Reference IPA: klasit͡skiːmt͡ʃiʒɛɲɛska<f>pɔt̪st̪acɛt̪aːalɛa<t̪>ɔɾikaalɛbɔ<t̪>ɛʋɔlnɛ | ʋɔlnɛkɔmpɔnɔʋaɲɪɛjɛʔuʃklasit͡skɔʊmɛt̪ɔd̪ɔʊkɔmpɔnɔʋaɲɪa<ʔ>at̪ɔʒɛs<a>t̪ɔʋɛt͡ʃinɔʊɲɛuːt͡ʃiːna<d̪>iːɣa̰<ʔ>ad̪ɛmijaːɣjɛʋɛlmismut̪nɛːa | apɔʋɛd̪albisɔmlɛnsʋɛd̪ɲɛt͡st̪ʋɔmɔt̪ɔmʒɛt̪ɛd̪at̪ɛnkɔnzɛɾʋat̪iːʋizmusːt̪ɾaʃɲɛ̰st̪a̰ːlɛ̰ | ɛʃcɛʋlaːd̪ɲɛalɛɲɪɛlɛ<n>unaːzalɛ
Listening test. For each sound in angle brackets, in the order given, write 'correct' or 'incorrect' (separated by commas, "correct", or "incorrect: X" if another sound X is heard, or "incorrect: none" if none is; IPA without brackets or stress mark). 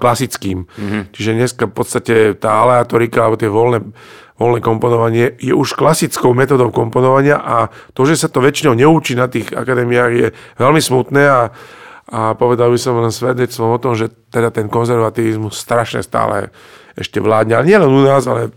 correct, correct, correct, correct, correct, incorrect: t̪, incorrect: k, correct